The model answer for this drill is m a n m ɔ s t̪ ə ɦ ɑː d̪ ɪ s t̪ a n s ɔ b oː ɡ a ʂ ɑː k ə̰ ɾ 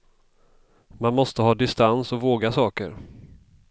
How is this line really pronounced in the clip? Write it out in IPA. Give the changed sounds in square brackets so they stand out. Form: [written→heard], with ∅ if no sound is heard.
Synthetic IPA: m a n m ɔ s t̪ ə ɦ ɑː d̪ ɪ s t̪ a n s ɔ [b→v] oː ɡ a [ʂ→s] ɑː k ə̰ ɾ